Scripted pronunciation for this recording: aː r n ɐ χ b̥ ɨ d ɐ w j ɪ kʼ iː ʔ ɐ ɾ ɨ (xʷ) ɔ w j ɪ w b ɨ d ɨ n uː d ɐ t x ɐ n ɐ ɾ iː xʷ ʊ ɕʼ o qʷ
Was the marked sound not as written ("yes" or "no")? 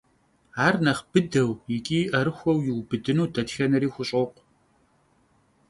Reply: no